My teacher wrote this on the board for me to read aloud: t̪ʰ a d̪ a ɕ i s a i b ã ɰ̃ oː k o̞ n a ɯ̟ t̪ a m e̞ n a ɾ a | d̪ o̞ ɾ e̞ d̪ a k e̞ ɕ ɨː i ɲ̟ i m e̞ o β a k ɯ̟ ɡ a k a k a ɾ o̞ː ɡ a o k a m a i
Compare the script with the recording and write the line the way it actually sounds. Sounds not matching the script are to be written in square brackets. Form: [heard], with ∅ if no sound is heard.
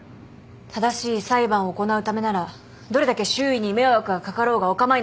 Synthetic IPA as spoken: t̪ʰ a d̪ a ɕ [iː] s a i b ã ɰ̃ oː k o̞ n a ɯ̟ t̪ a m e̞ n a ɾ a | d̪ o̞ ɾ e̞ d̪ a k e̞ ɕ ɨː i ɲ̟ i m e̞ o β a k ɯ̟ ɡ a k a k a ɾ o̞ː ɡ a o k a m a i

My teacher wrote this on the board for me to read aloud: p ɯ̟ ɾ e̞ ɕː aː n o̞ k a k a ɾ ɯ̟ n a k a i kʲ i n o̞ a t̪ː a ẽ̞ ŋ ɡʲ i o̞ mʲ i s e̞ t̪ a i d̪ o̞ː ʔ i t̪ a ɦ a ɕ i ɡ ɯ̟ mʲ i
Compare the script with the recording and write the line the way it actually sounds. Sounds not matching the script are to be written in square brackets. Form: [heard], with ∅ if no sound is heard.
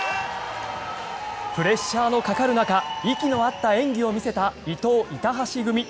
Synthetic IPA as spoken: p ɯ̟ ɾ e̞ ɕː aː n o̞ k a k a ɾ ɯ̟ n a k a i kʲ i n o̞ a t̪ː a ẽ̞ ŋ ɡʲ i o̞ mʲ i s e̞ t̪ a i [t̪] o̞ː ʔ i t̪ a ɦ a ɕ i ɡ ɯ̟ mʲ i

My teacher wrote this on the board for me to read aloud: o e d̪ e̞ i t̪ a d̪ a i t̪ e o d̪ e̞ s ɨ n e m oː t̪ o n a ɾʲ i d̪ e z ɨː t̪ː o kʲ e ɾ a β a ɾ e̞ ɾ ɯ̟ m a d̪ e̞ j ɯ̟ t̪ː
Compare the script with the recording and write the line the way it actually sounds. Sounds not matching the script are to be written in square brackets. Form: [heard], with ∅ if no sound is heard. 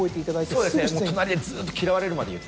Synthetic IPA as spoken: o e [t̪] e̞ i t̪ a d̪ a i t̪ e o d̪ e̞ s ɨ n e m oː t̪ o n a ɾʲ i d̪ e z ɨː t̪ː o kʲ [i] ɾ a β a ɾ e̞ ɾ ɯ̟ m a d̪ e̞ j ɯ̟ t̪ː

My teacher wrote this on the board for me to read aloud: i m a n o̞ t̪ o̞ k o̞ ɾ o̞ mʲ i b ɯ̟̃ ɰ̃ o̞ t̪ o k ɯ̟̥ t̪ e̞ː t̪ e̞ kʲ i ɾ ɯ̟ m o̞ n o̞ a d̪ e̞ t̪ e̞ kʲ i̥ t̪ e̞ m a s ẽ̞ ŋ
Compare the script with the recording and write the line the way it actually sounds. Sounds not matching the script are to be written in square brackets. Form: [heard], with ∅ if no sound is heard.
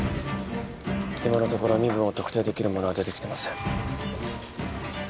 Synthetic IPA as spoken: i m a n o̞ t̪ o̞ k o̞ ɾ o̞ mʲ i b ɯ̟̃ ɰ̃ o̞ t̪ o k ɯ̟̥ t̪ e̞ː [d̪] e̞ kʲ i ɾ ɯ̟ m o̞ n o̞ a d̪ e̞ t̪ e̞ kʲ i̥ t̪ e̞ m a s ẽ̞ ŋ

